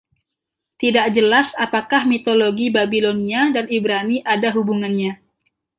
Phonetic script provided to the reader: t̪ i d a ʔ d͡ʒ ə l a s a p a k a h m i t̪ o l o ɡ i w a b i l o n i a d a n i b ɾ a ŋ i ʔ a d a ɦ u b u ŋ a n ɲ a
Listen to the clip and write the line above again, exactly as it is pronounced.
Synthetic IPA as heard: t̪ i d a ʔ d͡ʒ ə l a s a p a k a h m i t̪ o l o ɡ i b a b i l o n i a d a n i b ɾ a n i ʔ a d a ɦ u b u ŋ a n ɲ a